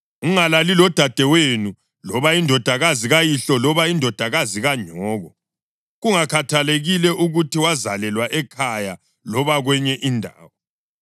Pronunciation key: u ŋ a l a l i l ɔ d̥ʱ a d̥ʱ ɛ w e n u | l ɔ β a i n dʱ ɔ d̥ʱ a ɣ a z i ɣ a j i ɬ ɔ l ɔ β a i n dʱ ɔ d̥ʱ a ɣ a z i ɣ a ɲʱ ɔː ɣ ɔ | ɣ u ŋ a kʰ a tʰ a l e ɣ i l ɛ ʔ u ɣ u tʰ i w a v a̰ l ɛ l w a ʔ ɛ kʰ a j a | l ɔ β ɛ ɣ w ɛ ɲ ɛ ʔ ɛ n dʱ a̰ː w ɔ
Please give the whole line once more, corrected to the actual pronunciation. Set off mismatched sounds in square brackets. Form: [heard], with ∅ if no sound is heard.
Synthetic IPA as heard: u ŋ a l a l i l ɔ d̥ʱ a d̥ʱ ɛ w e n u | l ɔ β a i n dʱ ɔ d̥ʱ a ɣ a z i ɣ a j i ɬ ɔ l ɔ β a i n dʱ ɔ d̥ʱ a ɣ a z i ɣ a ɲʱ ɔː ɣ ɔ | ɣ u ŋ a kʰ a tʰ a l e ɣ i l ɛ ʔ u ɣ u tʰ i w a [z] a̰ l ɛ l w a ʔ ɛ kʰ a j a | l ɔ β [a] ɣ w ɛ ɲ ɛ ʔ [i] n dʱ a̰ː w ɔ